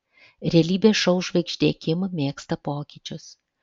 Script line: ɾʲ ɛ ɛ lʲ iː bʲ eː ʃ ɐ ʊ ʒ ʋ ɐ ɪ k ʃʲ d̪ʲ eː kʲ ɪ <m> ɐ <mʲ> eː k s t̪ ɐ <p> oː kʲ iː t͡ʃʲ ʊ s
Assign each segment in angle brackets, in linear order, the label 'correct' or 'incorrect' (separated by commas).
correct, correct, correct